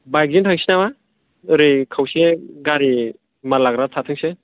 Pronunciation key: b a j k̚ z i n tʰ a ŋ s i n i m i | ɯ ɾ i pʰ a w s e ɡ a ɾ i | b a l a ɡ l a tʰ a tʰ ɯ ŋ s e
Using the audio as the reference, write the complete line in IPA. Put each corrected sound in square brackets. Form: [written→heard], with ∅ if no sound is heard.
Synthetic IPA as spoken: b a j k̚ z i n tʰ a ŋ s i n [i→a] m [i→a] | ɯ ɾ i [pʰ→kʰ] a w s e ɡ a ɾ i | [b→m] a l a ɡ [l→ɾ] a tʰ a tʰ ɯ ŋ s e